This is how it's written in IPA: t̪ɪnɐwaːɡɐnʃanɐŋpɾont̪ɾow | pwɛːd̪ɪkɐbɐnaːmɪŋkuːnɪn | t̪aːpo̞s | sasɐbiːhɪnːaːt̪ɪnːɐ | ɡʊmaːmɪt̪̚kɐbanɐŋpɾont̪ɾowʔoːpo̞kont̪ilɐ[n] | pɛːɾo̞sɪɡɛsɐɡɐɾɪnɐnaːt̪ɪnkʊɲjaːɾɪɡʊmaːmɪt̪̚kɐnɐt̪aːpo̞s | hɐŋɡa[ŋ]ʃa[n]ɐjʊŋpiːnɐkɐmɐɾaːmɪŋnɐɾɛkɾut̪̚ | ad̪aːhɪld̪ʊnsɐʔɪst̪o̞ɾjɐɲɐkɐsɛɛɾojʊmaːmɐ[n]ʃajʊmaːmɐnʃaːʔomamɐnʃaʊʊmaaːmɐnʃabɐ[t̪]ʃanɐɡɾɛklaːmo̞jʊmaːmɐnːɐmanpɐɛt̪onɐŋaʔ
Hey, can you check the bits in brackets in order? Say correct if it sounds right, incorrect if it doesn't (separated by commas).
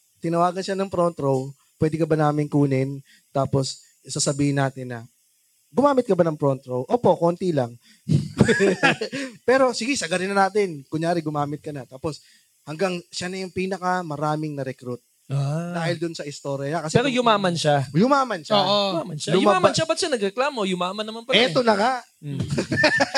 incorrect, correct, correct, correct, correct